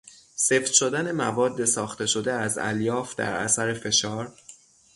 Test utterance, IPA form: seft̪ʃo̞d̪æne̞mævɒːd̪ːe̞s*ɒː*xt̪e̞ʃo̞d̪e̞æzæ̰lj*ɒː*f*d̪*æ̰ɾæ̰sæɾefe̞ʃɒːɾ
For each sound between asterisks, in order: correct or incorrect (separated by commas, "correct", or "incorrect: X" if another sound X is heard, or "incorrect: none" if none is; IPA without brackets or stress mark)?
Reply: correct, correct, correct